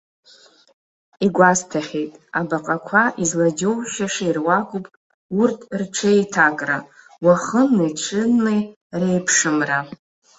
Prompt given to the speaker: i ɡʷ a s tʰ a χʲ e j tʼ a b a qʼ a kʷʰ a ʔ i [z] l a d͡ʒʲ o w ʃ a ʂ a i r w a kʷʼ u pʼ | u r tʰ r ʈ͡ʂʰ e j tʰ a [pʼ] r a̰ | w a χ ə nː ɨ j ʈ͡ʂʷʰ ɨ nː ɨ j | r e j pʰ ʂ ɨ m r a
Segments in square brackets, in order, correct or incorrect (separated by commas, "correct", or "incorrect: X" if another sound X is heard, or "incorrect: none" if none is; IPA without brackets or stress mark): correct, incorrect: kʼ